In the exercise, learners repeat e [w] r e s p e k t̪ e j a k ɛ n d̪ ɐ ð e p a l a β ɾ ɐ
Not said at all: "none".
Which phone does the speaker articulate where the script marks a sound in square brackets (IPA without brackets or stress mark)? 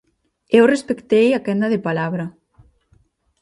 w